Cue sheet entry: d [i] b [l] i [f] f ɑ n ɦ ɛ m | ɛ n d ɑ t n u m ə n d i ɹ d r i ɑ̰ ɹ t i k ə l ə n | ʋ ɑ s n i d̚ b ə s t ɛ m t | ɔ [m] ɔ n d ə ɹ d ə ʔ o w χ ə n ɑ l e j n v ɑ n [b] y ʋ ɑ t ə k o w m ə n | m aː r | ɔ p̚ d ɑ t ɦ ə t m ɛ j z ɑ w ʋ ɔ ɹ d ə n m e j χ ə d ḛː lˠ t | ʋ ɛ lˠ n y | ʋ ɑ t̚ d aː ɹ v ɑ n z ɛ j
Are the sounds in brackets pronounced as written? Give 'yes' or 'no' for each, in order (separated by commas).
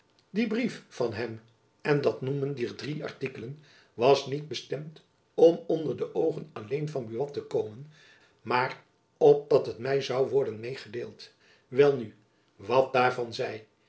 yes, no, yes, yes, yes